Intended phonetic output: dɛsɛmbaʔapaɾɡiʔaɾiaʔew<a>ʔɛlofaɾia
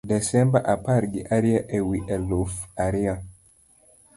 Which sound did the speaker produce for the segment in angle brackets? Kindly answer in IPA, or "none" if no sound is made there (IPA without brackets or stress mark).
i